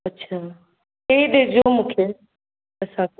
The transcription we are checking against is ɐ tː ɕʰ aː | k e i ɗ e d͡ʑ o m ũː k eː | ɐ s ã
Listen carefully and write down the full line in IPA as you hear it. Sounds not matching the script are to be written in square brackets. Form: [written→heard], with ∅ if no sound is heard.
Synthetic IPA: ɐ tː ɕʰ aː | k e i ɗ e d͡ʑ o m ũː [k→kʰ] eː | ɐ s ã